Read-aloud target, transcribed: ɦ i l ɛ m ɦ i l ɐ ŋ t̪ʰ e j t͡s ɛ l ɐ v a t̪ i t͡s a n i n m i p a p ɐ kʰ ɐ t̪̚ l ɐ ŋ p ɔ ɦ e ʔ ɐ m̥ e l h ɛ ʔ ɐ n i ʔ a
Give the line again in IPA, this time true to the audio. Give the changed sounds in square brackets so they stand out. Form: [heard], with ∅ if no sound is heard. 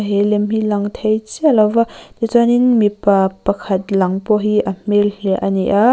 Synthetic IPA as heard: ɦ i l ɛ m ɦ i l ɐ ŋ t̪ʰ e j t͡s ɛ l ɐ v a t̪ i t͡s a n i n m i p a p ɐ kʰ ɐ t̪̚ l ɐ ŋ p ɔ ɦ [i] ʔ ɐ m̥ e l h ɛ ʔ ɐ n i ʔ a